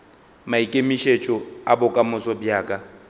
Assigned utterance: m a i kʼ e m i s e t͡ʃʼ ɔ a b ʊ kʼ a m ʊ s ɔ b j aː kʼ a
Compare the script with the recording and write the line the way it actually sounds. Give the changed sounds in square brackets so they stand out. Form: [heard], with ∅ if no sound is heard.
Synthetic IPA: m a i kʼ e m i [ʃ] e t͡ʃʼ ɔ a b ʊ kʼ a m ʊ s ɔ b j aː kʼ a